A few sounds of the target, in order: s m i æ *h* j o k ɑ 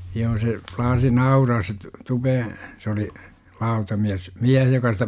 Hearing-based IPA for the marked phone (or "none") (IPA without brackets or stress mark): h